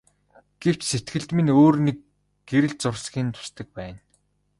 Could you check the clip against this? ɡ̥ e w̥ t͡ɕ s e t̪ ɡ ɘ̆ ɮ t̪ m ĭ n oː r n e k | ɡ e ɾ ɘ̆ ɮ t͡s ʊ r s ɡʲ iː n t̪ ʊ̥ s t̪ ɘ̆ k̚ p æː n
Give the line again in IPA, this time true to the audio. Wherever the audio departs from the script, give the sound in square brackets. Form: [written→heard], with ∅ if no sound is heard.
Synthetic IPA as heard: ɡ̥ e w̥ t͡ɕ s e t̪ ɡ ɘ̆ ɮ t̪ m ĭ n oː r n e k | ɡ e ɾ ɘ̆ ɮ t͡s ʊ r s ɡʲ iː n [t̪→t̪ʰ] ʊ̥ s t̪ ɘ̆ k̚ p æː n